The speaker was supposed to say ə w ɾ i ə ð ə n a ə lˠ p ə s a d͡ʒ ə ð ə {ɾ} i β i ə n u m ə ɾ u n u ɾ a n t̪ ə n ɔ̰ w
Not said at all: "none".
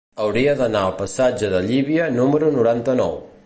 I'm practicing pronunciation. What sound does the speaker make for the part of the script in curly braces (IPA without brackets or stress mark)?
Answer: ʎ